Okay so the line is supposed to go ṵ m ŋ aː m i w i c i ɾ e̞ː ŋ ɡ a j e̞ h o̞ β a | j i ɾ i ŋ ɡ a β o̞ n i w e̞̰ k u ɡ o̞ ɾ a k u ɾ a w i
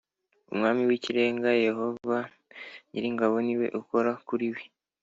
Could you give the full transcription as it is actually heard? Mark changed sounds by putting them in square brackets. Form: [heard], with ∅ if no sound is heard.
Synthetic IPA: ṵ m ŋ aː m i w i c i ɾ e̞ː ŋ ɡ a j e̞ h o̞ [v] a | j i ɾ i ŋ ɡ a β o̞ n i w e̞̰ [ʔ] u [k] o̞ ɾ a k u ɾ [i] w i

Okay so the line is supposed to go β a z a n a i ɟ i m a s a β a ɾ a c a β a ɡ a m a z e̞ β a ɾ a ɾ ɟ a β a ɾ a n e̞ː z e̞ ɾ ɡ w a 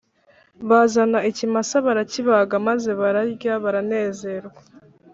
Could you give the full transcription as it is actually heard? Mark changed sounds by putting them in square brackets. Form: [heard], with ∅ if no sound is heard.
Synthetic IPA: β a z a n a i [c] i m a s a β a ɾ a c [i] β a ɡ a m a z e̞ β a ɾ a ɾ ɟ a β a ɾ a n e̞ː z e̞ ɾ ɡ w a

